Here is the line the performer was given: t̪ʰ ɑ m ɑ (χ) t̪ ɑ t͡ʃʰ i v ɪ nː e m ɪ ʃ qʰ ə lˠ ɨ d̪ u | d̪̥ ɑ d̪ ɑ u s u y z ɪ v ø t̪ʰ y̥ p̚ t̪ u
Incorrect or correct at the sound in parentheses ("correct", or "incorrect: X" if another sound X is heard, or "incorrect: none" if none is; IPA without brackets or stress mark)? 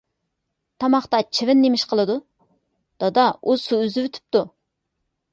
correct